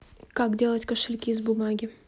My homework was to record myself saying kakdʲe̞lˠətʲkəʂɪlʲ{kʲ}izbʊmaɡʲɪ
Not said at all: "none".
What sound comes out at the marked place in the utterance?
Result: kʲ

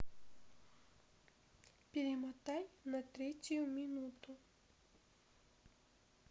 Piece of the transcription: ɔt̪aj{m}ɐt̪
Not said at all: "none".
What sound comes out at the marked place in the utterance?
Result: n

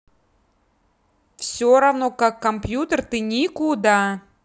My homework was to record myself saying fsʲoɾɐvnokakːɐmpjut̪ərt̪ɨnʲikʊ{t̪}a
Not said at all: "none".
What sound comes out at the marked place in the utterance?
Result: d̪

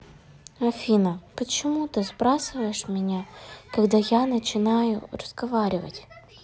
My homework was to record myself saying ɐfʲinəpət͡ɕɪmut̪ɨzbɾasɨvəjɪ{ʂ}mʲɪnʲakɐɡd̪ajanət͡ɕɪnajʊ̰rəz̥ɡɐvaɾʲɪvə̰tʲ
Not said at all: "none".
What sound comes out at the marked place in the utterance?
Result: ʂ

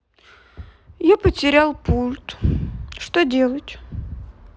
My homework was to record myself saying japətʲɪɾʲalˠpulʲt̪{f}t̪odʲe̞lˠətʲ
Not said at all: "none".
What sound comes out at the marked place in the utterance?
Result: ʂ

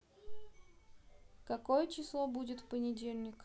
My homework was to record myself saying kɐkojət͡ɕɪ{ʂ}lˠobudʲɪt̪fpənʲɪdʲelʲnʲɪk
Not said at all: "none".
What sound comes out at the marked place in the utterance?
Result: s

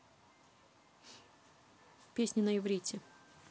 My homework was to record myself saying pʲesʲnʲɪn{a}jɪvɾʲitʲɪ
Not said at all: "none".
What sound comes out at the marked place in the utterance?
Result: ə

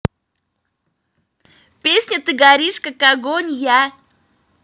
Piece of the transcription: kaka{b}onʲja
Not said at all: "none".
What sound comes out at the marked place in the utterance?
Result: ɡ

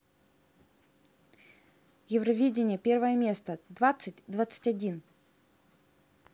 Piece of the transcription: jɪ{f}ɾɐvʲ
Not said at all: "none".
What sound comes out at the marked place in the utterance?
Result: v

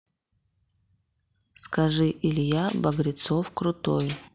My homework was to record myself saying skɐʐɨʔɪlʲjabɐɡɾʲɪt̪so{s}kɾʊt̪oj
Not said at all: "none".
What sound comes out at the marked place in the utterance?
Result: f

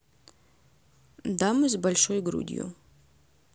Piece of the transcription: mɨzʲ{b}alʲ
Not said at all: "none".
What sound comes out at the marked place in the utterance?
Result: b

